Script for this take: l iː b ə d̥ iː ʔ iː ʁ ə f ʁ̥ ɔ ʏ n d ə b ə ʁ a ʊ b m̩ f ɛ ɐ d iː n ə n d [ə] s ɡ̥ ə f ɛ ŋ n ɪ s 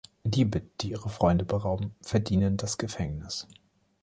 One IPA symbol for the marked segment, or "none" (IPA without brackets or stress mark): a